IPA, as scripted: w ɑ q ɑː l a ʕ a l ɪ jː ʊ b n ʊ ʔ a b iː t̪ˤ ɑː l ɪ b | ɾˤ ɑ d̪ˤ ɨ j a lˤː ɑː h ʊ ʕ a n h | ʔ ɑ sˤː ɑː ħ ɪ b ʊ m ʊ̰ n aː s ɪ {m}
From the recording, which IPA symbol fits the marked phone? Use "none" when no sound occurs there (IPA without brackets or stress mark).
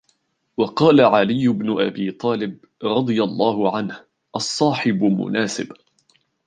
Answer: b